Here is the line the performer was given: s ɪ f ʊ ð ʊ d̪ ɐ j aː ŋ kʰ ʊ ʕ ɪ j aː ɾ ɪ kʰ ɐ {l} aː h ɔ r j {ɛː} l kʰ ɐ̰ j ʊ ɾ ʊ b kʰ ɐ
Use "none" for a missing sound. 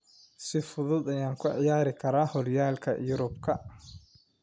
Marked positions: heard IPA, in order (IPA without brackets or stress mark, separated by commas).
ɾ, aː